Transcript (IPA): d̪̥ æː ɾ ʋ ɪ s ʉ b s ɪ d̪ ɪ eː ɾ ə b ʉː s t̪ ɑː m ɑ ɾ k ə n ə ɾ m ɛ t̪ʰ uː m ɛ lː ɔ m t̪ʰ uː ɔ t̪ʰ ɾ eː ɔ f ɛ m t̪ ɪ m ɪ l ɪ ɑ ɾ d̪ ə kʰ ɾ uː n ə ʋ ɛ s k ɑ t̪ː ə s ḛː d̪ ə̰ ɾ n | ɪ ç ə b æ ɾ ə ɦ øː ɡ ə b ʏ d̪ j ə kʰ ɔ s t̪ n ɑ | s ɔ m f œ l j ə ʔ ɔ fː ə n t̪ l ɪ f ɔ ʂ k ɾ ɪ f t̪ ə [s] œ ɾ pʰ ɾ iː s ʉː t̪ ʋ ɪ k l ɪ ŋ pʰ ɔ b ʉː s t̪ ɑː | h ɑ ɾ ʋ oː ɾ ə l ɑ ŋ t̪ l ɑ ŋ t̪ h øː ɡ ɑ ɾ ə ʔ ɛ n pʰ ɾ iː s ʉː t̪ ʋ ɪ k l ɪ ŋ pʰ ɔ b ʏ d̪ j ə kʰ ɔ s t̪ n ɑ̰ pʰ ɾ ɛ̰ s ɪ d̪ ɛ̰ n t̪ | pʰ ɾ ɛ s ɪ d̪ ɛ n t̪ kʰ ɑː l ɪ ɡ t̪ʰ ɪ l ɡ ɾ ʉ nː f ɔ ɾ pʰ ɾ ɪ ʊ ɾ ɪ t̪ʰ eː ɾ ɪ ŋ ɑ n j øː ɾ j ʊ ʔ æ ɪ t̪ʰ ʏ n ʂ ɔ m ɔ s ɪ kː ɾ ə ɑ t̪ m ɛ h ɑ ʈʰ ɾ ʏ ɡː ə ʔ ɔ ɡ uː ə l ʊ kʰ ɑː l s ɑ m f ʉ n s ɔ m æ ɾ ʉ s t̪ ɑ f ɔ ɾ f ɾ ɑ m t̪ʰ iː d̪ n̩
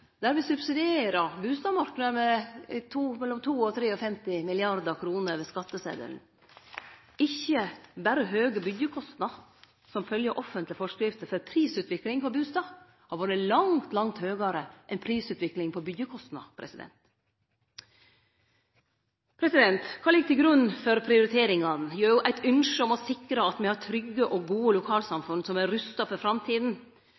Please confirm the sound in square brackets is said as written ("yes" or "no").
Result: no